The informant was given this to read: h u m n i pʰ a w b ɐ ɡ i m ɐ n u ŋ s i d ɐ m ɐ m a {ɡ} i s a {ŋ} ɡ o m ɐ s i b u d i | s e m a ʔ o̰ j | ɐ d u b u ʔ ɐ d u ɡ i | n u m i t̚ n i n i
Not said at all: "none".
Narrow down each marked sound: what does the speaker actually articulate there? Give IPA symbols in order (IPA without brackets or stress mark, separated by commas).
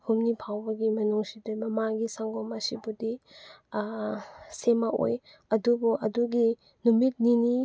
ɡ, ŋ